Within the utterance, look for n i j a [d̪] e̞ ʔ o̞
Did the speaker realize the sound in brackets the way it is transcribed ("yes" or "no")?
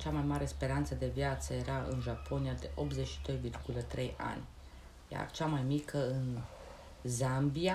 yes